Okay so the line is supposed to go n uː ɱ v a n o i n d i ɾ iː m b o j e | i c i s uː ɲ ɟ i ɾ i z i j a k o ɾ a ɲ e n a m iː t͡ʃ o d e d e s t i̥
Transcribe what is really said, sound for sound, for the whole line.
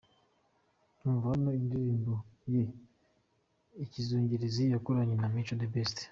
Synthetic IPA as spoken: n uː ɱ v a n o i n d i ɾ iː m b o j e | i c i z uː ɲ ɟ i ɾ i z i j a k o ɾ a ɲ e n a m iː t͡ʃ o d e b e s t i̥